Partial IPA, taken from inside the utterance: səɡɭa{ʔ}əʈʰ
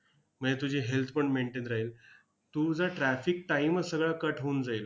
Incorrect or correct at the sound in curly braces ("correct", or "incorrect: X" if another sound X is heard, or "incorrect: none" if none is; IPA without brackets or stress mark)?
incorrect: k